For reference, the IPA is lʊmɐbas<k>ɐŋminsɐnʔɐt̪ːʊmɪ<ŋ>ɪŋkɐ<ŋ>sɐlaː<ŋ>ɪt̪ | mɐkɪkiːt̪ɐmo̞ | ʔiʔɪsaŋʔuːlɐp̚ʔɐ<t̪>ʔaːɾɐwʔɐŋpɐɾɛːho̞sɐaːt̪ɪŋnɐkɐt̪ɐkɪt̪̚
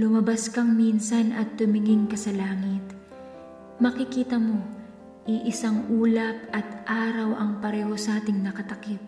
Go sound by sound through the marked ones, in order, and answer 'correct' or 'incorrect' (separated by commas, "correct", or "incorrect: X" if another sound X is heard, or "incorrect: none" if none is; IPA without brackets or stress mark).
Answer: correct, correct, incorrect: none, correct, correct